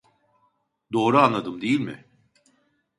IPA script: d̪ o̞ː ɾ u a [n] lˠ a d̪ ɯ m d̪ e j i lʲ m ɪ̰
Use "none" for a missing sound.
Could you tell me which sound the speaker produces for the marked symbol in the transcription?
n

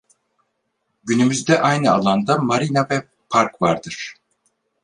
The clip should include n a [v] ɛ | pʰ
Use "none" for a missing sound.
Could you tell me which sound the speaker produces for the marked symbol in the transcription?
v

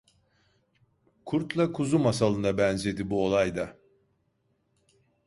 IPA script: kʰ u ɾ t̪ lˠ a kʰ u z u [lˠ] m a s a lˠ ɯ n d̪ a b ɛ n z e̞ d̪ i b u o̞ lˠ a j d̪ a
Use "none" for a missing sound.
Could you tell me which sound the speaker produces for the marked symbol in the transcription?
none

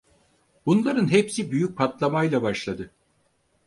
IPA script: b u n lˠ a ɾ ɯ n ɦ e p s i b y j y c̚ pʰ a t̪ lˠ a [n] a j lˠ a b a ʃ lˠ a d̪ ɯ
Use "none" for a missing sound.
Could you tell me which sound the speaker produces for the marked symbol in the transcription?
m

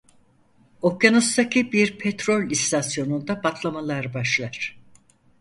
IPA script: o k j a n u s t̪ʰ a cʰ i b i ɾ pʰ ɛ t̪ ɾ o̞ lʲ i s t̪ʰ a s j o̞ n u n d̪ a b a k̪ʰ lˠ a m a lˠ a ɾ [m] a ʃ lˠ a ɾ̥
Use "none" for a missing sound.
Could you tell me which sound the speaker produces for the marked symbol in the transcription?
b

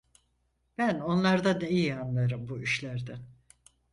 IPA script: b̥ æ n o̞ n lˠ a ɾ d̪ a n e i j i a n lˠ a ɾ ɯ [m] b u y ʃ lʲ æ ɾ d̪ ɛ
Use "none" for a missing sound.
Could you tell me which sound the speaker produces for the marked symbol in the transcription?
m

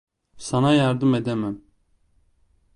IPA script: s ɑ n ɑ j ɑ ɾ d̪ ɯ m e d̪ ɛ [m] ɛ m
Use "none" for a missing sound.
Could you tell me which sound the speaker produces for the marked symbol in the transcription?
m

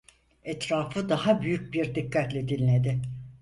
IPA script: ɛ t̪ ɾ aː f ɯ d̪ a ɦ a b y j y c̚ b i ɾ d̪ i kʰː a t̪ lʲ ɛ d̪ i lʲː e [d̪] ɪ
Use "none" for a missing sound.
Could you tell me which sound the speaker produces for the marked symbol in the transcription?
d̪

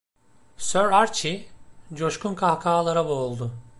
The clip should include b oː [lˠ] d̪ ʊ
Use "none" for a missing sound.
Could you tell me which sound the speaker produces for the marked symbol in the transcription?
lˠ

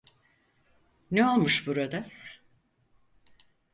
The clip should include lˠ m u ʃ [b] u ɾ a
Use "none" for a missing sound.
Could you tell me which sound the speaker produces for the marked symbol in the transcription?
b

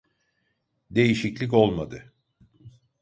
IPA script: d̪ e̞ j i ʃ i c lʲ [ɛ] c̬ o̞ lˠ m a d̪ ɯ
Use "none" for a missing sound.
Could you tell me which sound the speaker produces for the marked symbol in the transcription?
i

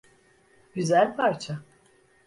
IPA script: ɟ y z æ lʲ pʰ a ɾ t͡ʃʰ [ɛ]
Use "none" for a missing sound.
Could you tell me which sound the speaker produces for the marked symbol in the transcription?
a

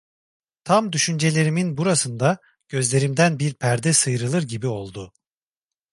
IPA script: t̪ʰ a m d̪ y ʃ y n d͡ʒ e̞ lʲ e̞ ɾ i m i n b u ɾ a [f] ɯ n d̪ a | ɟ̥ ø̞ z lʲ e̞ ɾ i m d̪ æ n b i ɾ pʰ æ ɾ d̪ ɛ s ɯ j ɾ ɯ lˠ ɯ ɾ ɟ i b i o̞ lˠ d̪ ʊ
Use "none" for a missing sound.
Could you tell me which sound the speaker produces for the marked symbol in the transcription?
s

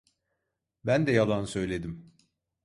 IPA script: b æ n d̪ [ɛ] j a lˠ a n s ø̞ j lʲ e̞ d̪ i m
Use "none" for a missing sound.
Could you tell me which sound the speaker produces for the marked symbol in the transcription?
ɛ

